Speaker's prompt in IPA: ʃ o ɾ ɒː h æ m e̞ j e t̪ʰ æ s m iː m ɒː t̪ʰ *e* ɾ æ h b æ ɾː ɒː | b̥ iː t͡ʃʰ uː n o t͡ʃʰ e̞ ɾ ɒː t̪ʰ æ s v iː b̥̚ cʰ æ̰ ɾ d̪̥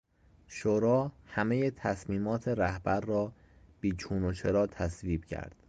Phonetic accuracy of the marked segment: correct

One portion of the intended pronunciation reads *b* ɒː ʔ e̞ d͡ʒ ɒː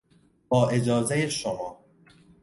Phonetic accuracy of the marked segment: correct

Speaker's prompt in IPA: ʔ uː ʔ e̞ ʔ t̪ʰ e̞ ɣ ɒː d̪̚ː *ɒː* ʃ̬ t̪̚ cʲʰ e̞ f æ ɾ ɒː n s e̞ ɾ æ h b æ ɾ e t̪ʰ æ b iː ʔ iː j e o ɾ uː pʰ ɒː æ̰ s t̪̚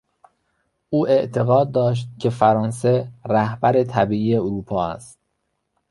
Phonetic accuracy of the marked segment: correct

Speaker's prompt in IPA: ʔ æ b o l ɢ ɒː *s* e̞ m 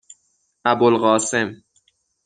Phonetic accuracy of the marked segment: correct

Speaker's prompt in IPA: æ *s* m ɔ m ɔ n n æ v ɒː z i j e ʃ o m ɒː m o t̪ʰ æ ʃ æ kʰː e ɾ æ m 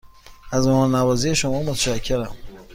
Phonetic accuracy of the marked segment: incorrect: z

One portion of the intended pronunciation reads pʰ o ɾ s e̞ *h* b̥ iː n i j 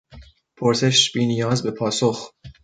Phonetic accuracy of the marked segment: incorrect: ʃ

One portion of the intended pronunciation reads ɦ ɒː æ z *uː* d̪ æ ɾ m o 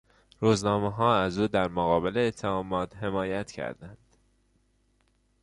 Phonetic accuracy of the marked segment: correct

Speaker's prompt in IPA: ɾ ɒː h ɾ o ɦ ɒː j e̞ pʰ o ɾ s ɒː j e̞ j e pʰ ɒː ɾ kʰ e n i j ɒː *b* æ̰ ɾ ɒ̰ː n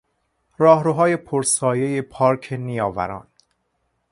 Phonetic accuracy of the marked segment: incorrect: v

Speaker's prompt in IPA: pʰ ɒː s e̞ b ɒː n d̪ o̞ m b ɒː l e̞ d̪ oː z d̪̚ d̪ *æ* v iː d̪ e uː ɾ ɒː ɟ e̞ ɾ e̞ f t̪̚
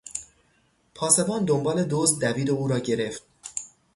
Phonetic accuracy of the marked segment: correct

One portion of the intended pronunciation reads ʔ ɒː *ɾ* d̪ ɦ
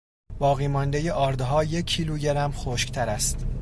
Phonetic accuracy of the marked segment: correct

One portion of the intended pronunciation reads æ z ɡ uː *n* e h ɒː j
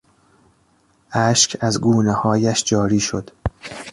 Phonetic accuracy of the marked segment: correct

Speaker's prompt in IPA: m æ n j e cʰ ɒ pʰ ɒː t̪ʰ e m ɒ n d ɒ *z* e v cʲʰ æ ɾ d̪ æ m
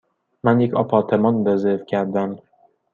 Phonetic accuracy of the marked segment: correct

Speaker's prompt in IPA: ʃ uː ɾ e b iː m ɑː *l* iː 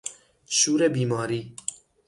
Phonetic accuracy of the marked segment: incorrect: ɾ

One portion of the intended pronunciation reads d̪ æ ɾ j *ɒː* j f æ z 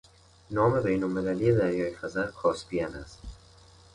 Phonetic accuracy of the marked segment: correct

